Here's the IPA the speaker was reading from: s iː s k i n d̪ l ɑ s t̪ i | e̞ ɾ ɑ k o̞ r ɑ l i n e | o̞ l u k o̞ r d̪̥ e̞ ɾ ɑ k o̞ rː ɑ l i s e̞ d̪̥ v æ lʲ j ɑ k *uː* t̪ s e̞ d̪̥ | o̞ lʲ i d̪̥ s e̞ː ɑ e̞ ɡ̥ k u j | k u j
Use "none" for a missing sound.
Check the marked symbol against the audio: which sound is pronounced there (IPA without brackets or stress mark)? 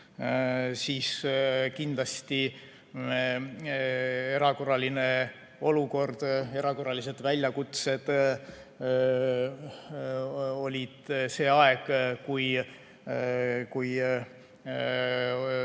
u